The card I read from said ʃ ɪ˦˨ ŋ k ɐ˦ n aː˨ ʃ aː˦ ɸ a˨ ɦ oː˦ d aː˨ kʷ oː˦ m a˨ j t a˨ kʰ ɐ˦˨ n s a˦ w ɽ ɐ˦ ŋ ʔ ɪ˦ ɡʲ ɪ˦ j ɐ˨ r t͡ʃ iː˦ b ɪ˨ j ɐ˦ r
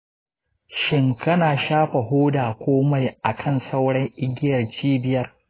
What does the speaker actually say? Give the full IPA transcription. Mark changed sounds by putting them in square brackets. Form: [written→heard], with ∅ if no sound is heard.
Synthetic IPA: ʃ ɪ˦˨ ŋ k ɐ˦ n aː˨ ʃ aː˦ ɸ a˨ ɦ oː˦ d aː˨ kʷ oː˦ m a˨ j [t→ʔ] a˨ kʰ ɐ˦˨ n s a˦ w ɽ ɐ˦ ŋ ʔ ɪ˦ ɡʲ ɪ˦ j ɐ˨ r t͡ʃ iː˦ b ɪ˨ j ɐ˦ r